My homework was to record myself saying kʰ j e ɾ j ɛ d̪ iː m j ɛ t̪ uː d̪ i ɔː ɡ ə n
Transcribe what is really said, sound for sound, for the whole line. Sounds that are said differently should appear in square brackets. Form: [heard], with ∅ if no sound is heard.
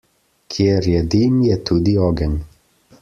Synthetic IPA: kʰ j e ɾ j ɛ d̪ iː m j ɛ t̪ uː d̪ i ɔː ɡ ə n